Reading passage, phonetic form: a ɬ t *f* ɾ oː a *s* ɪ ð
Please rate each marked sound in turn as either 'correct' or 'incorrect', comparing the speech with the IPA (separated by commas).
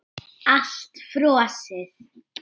correct, correct